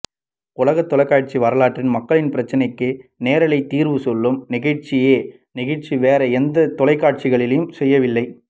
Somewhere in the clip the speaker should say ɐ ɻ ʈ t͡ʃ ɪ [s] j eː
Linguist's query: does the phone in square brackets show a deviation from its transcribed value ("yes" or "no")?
yes